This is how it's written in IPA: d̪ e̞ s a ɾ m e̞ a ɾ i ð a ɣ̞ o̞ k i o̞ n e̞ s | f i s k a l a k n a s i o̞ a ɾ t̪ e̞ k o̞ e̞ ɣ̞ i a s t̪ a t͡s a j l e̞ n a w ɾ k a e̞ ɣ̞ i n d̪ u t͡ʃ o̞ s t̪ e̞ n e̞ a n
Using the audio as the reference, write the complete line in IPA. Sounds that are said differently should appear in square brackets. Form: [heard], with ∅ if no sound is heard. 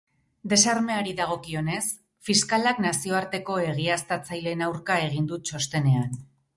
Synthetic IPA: d̪ e̞ s a ɾ m e̞ a ɾ i ð a ɣ̞ o̞ k i o̞ n e̞ s | f i s k a l a k n a s i o̞ a ɾ t̪ e̞ k o̞ e̞ ɣ̞ i a s t̪ a t͡s a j l e̞ n a w ɾ k a e̞ ɣ̞ i n d̪ u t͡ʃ o̞ s t̪ e̞ n e̞ a n

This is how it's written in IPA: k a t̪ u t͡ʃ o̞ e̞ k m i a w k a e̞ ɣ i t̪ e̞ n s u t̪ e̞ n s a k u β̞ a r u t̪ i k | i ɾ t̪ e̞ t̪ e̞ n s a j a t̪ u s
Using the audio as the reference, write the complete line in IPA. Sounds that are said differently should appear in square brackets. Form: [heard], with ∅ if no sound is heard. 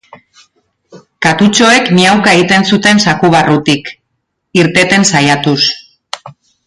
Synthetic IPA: k a t̪ u t͡ʃ o̞ e̞ k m i a w k a e̞ ɣ i t̪ e̞ n s u t̪ e̞ n s a k u β̞ a r u t̪ i k | i ɾ t̪ e̞ t̪ e̞ n s a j a t̪ u s

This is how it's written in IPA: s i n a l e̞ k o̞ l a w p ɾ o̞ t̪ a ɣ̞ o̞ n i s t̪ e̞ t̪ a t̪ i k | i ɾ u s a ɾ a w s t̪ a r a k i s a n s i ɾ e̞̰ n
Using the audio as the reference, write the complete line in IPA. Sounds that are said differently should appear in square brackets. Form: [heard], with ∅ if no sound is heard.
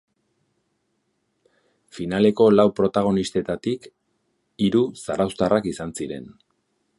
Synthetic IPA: [f] i n a l e̞ k o̞ l a w p ɾ o̞ t̪ a ɣ̞ o̞ n i s t̪ e̞ t̪ a t̪ i k | i ɾ u s a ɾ a w s t̪ a r a k i s a n s i ɾ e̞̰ n

